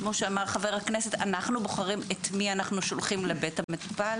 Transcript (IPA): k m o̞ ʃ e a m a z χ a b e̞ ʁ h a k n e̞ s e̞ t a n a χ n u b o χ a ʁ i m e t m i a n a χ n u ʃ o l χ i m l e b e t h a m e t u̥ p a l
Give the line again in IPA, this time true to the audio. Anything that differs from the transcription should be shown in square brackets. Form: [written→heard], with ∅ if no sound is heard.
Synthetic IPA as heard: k m o̞ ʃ e a m a [z→ʁ] χ a [b→v] e̞ ʁ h a k n e̞ s e̞ t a n a χ n u b o χ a ʁ i m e t m i a n a χ n u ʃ o l χ i m l e b e t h a m e t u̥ p a l